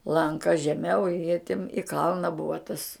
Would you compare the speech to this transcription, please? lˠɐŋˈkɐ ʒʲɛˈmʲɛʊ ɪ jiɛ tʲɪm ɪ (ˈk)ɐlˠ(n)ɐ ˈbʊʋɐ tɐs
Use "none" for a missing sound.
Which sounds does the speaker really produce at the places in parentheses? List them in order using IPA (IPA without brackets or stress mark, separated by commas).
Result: k, n